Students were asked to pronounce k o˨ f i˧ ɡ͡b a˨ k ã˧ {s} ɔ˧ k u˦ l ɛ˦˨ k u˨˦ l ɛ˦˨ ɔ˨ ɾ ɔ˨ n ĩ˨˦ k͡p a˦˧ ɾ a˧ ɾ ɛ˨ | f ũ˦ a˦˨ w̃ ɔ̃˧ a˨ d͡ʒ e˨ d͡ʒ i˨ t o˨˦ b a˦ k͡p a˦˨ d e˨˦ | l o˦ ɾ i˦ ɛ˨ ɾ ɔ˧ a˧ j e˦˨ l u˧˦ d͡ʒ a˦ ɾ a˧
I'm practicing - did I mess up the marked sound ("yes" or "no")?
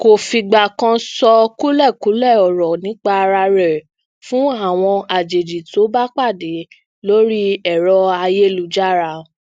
no